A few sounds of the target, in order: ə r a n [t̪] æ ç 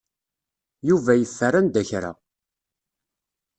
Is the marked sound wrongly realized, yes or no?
yes